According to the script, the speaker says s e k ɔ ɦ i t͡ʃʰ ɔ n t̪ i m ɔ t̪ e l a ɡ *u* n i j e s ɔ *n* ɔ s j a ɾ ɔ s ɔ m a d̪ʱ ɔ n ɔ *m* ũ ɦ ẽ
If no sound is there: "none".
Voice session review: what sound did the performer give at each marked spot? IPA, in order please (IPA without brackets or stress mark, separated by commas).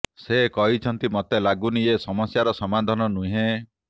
u, m, n